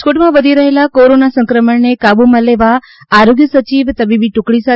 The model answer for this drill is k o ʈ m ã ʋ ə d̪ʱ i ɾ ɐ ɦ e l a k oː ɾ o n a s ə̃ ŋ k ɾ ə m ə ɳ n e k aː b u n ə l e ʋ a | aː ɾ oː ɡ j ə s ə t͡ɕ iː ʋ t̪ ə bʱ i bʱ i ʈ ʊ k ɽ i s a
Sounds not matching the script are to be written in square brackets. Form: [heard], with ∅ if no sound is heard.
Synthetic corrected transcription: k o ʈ m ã ʋ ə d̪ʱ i ɾ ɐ ɦ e l a k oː ɾ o n a s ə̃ ŋ k ɾ ə m ə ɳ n e k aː b u [m] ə l e ʋ a | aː ɾ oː ɡ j ə s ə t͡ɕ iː ʋ t̪ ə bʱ i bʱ i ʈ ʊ k ɽ i s a